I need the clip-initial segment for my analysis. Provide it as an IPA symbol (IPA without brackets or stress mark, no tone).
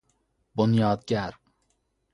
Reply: b